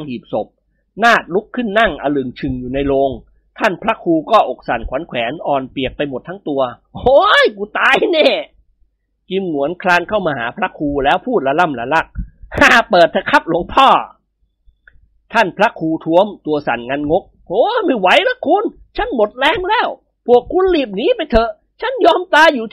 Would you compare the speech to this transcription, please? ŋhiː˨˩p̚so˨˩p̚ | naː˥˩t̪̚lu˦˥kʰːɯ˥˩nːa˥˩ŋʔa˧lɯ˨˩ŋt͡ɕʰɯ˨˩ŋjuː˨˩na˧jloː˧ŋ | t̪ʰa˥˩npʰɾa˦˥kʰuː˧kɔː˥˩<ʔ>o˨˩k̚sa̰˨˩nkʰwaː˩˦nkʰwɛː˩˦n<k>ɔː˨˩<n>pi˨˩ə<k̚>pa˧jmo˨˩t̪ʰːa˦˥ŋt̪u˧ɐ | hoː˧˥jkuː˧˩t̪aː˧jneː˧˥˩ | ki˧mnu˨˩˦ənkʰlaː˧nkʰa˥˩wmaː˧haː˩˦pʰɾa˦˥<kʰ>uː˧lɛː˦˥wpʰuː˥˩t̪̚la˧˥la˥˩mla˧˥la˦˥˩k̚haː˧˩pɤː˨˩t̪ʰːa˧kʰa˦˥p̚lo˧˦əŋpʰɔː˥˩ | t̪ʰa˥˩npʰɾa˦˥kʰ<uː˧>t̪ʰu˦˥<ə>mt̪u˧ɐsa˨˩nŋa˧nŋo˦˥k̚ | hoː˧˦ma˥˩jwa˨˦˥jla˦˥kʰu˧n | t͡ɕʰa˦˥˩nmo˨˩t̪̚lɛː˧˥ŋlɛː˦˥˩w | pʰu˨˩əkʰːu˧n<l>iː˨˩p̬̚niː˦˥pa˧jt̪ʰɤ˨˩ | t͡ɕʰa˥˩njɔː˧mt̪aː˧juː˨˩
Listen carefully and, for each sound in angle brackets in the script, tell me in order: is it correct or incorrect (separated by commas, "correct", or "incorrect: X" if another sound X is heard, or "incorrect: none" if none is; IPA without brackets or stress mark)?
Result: correct, incorrect: ʔ, correct, correct, correct, correct, correct, correct